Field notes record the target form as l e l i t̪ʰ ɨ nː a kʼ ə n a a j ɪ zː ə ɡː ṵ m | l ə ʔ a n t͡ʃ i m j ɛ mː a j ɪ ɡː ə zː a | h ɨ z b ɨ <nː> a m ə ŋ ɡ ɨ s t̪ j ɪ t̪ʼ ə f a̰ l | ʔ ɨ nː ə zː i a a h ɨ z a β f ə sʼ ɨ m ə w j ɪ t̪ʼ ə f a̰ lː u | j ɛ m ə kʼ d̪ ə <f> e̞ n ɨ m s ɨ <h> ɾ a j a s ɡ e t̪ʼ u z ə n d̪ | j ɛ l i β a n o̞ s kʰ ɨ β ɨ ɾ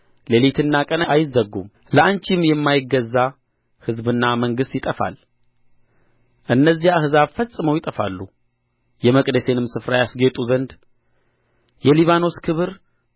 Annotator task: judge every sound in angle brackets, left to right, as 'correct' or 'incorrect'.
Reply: correct, incorrect, incorrect

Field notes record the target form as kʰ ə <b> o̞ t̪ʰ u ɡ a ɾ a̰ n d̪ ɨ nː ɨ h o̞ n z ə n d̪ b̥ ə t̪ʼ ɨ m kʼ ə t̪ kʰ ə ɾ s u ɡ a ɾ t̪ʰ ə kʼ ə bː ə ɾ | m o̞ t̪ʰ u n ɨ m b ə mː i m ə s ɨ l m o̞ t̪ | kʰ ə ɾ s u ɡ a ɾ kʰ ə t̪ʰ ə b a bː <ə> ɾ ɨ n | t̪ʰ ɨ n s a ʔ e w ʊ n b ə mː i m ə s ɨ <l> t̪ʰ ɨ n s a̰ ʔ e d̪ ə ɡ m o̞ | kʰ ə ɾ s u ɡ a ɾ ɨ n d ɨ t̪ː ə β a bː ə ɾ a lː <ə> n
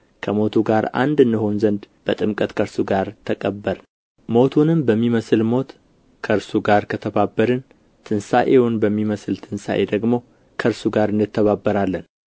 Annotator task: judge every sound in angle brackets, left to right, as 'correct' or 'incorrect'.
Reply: incorrect, correct, correct, correct

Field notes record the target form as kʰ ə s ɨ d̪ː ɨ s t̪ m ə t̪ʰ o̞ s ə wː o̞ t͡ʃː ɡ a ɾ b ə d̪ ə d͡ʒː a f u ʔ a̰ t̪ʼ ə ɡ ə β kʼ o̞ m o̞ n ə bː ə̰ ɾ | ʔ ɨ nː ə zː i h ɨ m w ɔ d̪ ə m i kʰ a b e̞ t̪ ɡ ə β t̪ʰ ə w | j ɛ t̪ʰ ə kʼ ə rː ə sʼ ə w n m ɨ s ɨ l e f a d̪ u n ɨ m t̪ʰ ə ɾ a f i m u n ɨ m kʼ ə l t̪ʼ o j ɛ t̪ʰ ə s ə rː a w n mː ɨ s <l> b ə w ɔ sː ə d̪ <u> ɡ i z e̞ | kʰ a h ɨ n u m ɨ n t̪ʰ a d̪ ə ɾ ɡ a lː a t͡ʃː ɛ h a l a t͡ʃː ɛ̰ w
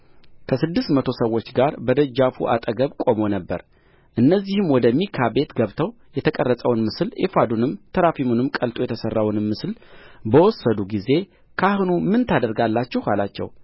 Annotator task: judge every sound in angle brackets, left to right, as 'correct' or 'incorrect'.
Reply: correct, correct

